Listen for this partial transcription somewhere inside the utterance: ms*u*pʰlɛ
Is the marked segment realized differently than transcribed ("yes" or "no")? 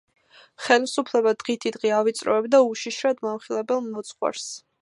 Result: no